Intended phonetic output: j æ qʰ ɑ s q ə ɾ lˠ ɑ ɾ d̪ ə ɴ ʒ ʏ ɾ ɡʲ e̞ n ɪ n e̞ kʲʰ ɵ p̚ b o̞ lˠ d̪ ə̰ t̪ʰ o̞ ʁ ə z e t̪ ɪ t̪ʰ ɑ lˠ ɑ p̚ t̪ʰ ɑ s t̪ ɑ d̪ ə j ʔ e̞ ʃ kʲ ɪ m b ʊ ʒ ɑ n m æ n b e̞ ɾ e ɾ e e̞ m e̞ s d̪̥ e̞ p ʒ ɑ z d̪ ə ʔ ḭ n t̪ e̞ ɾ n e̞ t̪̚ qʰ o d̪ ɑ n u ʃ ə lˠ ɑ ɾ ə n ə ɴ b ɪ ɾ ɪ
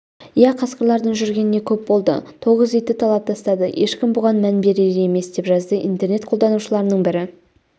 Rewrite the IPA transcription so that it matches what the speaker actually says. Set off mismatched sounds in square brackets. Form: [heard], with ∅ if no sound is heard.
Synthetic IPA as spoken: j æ qʰ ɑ s q ə ɾ lˠ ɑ ɾ d̪ ə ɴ ʒ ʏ ɾ ɡʲ e̞ n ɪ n e̞ kʲʰ ɵ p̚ b o̞ lˠ d̪ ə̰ t̪ʰ o̞ ʁ ə z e t̪ ɪ t̪ʰ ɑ lˠ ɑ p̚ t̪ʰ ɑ s t̪ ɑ d̪ ə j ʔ e̞ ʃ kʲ ɪ m b ʊ [ʁ] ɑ n m æ n b e̞ ɾ e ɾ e e̞ m e̞ s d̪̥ e̞ p ʒ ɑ z d̪ ə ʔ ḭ n t̪ e̞ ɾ n e̞ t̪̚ qʰ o d̪ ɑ n u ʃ ə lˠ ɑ ɾ ə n ə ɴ b ɪ ɾ ɪ